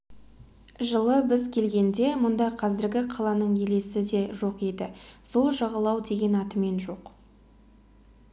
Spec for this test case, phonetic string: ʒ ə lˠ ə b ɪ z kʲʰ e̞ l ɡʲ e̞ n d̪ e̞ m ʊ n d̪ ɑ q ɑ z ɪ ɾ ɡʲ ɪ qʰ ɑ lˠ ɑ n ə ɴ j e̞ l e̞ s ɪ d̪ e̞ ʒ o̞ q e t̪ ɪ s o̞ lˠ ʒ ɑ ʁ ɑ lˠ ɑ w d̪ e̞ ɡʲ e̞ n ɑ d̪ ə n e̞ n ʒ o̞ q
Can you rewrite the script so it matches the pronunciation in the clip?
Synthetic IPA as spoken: ʒ ə lˠ ə b ɪ z kʲʰ e̞ l ɡʲ e̞ n d̪ e̞ m ʊ n d̪ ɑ qʰ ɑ z ɪ ɾ ɡʲ ɪ qʰ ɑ lˠ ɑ n ə ɴ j e̞ l e̞ s ɪ d̪ e̞ ʒ o̞ q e d̪ ɪ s o̞ lˠ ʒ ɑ ʁ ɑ lˠ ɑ w d̪ e̞ ɡʲ e̞ n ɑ t̪ ə m e̞ n ʒ o̞ q